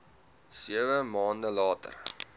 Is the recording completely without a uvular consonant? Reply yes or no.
yes